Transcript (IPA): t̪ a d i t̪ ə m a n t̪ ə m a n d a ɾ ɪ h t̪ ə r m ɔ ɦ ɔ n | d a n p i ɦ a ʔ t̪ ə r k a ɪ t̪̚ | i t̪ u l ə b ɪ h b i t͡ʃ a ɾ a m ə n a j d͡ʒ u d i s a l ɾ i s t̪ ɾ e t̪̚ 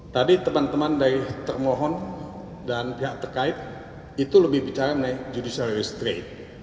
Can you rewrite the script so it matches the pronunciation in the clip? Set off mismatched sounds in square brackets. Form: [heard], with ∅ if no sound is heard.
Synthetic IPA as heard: t̪ a d i t̪ ə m a n t̪ ə m a n d a ɾ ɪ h t̪ ə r m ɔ ɦ ɔ n | d a n p i ɦ a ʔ t̪ ə r k a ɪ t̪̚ | i t̪ u l ə b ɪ h b i t͡ʃ a ɾ a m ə n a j d͡ʒ u d i s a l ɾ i s t̪ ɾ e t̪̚